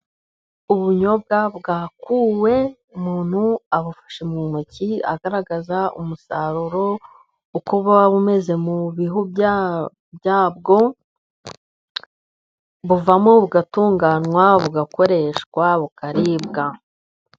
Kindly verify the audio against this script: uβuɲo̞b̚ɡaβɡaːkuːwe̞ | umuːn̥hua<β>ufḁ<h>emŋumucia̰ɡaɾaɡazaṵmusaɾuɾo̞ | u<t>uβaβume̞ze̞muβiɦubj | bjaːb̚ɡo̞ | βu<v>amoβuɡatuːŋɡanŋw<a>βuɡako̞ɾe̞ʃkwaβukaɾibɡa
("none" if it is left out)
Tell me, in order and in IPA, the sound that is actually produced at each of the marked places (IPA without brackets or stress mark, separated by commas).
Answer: β, ʃ, k, v, a